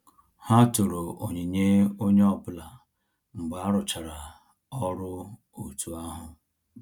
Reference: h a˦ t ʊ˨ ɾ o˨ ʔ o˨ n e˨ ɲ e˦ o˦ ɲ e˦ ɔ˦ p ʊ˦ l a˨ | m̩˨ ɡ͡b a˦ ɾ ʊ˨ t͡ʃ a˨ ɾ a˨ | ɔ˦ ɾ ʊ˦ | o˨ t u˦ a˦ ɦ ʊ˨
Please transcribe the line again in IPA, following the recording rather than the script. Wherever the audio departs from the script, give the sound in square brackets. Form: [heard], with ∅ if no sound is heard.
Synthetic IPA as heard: h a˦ t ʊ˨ ɾ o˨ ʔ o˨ [ɲ] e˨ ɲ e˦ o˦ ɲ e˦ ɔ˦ p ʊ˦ l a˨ | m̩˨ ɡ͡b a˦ ɾ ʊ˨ t͡ʃ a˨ ɾ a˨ | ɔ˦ ɾ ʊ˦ | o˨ t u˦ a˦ ɦ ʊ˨